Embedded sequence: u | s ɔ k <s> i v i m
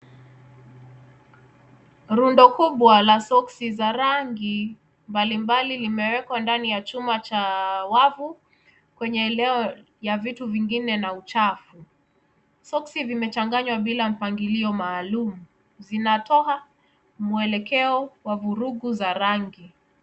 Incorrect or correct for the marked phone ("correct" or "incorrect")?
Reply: correct